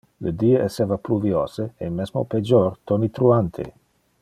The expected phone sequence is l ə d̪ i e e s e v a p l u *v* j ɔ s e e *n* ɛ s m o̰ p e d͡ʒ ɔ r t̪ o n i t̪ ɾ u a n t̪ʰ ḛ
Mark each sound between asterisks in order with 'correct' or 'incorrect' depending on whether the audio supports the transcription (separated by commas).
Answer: correct, incorrect